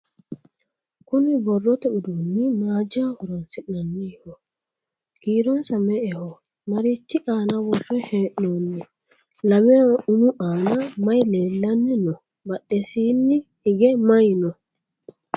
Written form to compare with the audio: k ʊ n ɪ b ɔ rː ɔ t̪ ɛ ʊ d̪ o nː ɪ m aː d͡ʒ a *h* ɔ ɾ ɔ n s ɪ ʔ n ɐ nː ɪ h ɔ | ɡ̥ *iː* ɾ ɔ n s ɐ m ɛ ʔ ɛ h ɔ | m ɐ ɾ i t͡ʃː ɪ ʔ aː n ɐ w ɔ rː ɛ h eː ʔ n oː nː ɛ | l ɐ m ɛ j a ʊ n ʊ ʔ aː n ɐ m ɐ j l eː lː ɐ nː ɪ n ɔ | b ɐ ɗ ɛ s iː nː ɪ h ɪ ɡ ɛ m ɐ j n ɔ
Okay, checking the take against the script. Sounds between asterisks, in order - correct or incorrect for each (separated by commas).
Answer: correct, correct